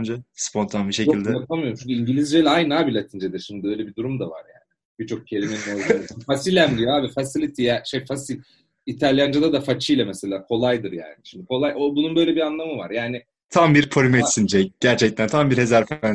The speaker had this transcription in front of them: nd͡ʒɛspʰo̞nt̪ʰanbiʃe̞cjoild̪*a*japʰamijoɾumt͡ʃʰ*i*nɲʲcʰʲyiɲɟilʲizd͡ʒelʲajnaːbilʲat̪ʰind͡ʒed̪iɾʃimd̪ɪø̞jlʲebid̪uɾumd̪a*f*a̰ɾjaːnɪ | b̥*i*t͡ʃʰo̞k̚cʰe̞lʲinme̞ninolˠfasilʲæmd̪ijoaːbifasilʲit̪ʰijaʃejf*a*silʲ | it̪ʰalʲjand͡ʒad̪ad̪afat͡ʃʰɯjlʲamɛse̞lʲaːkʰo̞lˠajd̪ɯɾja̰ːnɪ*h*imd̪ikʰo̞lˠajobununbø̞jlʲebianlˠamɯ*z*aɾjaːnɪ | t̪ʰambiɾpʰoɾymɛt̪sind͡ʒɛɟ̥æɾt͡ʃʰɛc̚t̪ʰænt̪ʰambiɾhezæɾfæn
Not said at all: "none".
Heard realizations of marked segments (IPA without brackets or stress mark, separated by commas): ɛ, y, v, i, a, ʃ, v